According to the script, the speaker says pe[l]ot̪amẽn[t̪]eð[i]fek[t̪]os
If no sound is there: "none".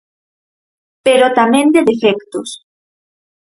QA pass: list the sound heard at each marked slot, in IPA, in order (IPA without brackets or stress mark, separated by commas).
ɾ, d̪, e, t̪